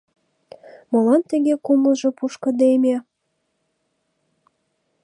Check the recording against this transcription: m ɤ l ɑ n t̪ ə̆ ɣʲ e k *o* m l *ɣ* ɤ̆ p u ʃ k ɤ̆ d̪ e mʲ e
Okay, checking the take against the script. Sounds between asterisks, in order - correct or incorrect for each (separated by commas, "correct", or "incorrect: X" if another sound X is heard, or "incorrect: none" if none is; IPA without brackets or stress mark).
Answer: incorrect: u, incorrect: ʒ